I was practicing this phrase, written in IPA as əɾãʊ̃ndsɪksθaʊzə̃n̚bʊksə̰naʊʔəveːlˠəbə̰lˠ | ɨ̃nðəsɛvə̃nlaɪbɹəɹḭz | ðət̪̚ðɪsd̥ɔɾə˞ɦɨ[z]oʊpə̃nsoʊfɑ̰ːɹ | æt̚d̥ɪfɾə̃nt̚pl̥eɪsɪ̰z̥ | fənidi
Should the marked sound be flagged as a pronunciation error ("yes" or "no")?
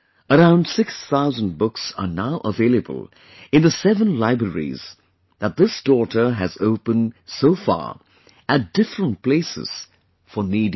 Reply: no